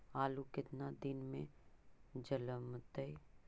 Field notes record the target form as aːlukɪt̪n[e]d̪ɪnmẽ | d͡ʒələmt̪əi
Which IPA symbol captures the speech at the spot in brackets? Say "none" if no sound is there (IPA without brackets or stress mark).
a